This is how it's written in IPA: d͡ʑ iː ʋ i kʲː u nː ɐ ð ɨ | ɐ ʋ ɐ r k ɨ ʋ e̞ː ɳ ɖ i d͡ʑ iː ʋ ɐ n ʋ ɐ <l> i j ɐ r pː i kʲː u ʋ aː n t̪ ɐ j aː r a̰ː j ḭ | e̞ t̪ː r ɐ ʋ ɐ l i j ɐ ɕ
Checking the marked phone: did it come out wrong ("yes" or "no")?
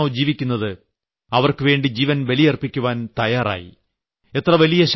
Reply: no